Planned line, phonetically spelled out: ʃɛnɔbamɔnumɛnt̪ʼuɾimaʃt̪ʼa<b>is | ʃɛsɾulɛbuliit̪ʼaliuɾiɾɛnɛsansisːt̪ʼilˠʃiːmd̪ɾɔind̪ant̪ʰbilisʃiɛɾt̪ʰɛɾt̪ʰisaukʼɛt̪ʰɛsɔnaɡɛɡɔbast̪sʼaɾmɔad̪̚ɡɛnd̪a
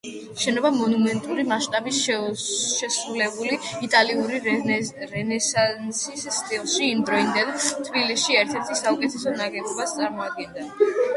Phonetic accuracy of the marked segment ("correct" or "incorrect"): correct